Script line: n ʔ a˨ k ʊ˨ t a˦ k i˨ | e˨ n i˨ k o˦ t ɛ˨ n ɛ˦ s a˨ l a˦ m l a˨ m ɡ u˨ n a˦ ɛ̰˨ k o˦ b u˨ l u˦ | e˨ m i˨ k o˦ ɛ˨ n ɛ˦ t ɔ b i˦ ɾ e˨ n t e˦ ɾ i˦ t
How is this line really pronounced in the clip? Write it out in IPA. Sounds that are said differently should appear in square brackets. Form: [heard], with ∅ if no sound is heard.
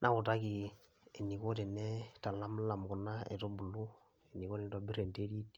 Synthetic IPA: n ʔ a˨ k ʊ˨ t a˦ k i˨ | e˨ n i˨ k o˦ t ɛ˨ n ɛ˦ [t] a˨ l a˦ m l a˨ m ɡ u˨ n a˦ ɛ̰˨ [t] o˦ b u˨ l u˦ | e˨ [n] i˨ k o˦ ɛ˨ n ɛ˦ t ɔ b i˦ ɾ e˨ n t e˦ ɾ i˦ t